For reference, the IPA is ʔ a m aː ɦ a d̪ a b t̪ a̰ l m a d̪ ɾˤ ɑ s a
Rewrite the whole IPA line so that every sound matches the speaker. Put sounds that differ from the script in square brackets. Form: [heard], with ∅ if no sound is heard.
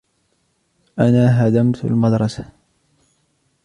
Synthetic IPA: ʔ a [n] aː ɦ a d̪ a [m] t̪ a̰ l m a d̪ ɾˤ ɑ s a